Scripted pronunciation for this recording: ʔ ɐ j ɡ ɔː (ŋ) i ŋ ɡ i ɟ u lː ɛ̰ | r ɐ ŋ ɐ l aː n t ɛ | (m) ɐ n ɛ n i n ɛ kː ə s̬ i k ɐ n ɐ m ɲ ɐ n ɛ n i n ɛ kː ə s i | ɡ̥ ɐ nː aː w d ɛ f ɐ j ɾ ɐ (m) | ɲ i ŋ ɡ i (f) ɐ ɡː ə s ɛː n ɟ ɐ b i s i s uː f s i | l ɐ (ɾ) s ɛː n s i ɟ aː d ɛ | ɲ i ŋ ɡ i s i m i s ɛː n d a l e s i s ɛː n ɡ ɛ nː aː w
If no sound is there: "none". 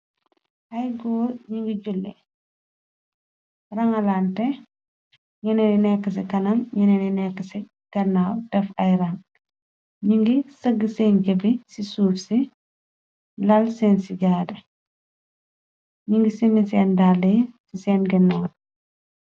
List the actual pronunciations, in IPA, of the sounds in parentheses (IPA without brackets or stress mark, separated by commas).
ɲ, ɲ, ŋ, s, l